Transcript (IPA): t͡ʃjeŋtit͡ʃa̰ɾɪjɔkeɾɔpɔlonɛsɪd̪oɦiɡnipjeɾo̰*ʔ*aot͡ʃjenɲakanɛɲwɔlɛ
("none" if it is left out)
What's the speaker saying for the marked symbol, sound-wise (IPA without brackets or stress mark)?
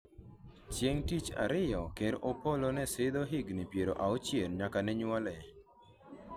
ʔ